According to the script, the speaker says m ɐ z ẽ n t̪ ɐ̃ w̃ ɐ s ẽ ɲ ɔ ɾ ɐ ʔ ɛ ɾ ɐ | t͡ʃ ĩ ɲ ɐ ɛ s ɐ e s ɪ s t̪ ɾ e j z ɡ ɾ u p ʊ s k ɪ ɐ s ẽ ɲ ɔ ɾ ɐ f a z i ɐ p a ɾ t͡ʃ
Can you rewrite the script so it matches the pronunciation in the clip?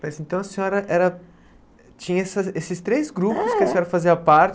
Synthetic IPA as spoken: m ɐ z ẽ n t̪ ɐ̃ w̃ ɐ s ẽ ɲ ɔ ɾ ɐ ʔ ɛ ɾ ɐ | t͡ʃ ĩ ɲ ɐ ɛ s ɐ e s ɪ s t̪ ɾ e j z ɡ ɾ u p ʊ s k ɪ ɐ s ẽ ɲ ɔ ɾ ɐ f a z i ɐ p a ɾ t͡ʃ

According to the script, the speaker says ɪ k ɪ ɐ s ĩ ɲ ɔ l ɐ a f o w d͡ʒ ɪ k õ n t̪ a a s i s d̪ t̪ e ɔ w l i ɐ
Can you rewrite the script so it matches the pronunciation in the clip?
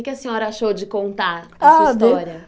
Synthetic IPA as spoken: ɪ k ɪ ɐ s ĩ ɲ ɔ ɾ ɐ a ʃ o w d͡ʒ ɪ k õ n t̪ a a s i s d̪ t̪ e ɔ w ɾ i ɐ

